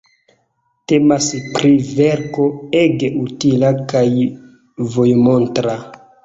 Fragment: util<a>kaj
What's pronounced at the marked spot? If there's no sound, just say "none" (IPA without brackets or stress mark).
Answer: a